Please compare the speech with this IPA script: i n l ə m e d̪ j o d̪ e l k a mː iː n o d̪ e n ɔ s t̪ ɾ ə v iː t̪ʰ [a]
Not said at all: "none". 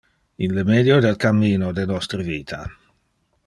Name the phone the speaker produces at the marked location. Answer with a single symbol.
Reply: a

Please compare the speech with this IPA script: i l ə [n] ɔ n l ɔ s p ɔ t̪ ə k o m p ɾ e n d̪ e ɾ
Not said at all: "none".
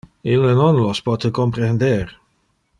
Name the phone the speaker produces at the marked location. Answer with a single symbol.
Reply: n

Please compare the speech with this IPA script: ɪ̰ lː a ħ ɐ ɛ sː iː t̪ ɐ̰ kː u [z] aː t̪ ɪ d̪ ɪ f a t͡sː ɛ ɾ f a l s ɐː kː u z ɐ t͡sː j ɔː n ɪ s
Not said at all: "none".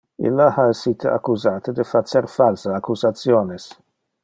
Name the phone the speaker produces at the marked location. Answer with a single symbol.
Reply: z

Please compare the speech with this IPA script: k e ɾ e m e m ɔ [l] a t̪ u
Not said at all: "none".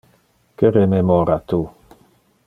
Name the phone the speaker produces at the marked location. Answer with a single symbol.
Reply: ɾ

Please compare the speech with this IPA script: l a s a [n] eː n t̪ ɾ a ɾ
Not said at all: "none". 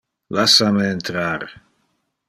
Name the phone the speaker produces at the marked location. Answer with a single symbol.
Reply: m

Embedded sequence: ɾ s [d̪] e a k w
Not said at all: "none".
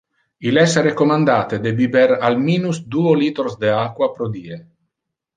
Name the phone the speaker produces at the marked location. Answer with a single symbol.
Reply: d̪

